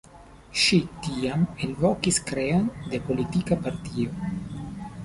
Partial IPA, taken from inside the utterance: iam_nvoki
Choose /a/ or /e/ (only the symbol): e